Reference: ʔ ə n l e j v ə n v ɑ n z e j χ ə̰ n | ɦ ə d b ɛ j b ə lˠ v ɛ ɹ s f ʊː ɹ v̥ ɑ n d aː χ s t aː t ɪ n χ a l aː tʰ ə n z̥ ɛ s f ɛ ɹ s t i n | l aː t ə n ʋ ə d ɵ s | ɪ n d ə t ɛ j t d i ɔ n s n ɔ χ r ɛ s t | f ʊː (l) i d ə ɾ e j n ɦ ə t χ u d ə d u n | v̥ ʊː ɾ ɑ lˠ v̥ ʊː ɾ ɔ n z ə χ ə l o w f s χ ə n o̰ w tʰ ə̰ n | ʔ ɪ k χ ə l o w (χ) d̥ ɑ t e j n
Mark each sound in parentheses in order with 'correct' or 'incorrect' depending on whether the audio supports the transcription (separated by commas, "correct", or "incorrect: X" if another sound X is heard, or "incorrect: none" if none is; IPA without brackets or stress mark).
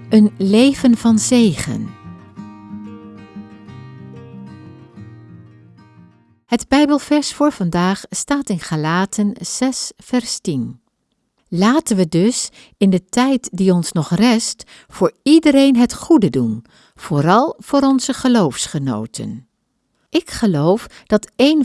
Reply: incorrect: ɹ, incorrect: f